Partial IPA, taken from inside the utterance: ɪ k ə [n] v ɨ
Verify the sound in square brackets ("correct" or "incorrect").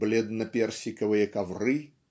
incorrect